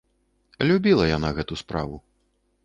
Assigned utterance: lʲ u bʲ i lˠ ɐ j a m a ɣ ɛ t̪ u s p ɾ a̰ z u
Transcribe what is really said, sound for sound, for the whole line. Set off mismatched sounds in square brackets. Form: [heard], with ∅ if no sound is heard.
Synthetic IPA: lʲ u bʲ i lˠ ɐ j a [n] a ɣ ɛ t̪ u s p ɾ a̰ [v] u